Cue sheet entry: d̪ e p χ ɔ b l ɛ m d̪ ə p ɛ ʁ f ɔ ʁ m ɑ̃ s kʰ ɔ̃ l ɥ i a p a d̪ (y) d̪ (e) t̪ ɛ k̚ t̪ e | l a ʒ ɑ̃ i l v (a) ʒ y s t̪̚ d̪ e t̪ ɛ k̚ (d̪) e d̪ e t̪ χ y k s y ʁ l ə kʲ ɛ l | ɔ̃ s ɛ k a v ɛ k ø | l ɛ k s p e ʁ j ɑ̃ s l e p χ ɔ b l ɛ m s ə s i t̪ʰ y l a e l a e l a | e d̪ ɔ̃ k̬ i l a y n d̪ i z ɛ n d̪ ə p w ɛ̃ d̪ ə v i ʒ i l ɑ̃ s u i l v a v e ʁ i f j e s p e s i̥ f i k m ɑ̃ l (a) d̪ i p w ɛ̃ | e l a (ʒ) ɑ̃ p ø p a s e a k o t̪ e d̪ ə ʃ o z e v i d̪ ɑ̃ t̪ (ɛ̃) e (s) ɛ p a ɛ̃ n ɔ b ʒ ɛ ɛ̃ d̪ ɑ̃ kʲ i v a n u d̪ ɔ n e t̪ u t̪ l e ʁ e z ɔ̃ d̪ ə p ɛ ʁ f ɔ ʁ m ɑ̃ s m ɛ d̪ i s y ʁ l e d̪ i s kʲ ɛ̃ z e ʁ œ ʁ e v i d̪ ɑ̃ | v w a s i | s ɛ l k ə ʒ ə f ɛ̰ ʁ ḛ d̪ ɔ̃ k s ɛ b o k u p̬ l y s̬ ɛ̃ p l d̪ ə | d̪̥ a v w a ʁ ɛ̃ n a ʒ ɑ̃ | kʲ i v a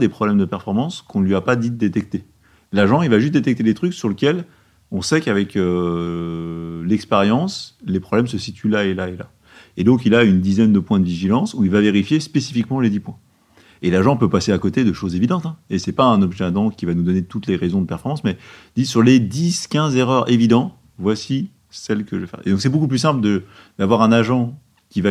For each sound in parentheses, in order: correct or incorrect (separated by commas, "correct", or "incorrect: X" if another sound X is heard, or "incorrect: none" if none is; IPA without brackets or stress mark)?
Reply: incorrect: i, correct, correct, incorrect: t̪, incorrect: e, correct, correct, correct